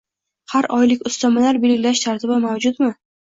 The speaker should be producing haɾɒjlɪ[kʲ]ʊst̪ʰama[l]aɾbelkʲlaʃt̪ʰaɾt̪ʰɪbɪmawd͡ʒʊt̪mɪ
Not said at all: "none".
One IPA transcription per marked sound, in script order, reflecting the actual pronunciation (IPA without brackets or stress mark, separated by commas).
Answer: kʲ, l